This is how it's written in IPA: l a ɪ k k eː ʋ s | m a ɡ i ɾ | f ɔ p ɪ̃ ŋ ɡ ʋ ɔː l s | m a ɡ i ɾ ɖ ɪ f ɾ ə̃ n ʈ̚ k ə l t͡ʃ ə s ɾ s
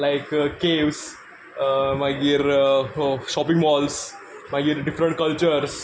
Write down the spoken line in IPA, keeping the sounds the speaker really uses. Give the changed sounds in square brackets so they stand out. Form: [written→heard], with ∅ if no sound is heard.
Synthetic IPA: l a ɪ k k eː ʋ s | m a ɡ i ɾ | [f→ʃ] ɔ p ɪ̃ ŋ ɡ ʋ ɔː l s | m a ɡ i ɾ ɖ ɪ f ɾ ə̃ [n→ɳ] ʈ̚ k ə l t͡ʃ ə [s→∅] ɾ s